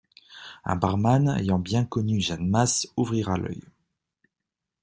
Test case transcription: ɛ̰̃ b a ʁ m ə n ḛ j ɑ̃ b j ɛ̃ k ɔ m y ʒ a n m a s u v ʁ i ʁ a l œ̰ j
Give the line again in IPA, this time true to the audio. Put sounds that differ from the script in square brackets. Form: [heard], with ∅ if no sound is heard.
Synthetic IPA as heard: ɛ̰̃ b a ʁ m [a] n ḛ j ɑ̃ b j ɛ̃ k ɔ [n] y ʒ a n m a s u v ʁ i ʁ a l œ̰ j